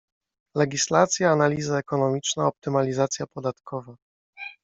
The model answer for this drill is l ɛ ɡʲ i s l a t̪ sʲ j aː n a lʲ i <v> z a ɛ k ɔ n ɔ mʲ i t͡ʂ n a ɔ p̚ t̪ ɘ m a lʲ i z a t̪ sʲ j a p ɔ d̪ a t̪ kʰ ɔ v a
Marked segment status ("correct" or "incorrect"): incorrect